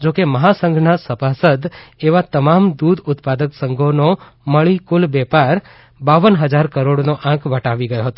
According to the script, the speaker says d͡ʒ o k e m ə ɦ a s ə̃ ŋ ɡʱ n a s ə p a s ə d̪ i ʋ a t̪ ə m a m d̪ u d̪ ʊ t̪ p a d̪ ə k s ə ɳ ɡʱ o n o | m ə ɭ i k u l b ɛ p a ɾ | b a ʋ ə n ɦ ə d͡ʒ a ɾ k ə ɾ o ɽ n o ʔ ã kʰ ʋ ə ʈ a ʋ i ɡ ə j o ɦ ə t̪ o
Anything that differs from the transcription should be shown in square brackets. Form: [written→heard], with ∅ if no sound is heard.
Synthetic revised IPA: d͡ʒ o k e m ə ɦ a s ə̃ ŋ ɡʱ n a s ə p a s ə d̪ [i→e] ʋ a t̪ ə m a m d̪ u d̪ ʊ t̪ p a d̪ ə k s ə [ɳ→ŋ] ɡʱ o n o | m ə ɭ i k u l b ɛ p a ɾ | b a ʋ ə n ɦ ə d͡ʒ a ɾ k ə ɾ o ɽ n o ʔ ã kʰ ʋ ə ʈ a ʋ i ɡ ə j o ɦ ə t̪ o